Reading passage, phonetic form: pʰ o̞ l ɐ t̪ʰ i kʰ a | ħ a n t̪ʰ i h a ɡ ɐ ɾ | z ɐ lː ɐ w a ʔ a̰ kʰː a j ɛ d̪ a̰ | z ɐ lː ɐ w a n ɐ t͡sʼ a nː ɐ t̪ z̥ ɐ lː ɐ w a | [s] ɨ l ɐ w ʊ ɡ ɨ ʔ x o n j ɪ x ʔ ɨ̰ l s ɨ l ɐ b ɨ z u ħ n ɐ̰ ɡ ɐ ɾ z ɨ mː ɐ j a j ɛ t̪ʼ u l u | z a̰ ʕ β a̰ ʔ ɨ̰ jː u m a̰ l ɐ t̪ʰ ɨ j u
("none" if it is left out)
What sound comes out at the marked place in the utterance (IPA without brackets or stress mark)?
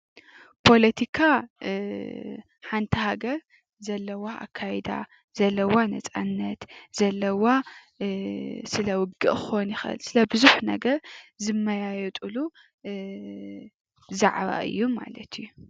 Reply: s